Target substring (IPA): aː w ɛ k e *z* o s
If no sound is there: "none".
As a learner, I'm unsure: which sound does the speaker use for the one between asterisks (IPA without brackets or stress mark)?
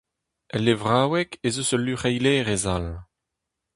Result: z